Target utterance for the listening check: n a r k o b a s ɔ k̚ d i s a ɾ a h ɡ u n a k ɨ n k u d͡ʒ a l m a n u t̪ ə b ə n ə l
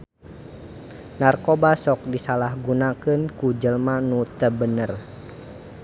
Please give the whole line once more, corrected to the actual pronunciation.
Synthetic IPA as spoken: n a r k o b a s ɔ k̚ d i s a l a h ɡ u n a k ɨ n k u d͡ʒ ə l m a n u t̪ ə b ə n ə r